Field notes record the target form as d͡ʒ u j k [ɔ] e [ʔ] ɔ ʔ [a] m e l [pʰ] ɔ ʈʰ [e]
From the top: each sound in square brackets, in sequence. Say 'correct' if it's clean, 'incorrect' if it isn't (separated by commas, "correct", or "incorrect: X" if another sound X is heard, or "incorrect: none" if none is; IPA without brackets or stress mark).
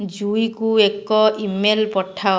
incorrect: u, incorrect: k, incorrect: i, incorrect: p, incorrect: a